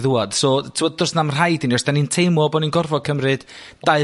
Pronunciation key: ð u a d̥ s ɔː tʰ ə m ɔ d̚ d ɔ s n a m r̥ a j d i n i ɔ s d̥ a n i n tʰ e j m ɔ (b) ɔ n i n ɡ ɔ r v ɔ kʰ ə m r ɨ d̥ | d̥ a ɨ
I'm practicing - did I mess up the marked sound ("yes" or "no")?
no